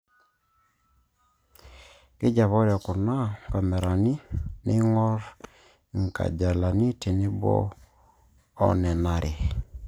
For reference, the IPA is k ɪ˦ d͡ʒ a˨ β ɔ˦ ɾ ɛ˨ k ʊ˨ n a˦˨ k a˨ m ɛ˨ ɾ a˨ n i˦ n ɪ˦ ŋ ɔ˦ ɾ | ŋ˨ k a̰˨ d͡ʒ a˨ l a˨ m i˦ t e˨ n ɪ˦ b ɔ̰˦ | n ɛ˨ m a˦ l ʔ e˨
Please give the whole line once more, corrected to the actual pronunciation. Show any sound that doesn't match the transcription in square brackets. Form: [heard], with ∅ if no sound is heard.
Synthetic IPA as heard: k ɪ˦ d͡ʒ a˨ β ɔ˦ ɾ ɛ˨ k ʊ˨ n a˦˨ k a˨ m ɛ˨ ɾ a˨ n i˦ n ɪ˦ ŋ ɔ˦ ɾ | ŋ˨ k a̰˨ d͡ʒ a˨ l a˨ [n] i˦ t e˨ n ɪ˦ b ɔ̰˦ | n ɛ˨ [n] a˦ [ɾ] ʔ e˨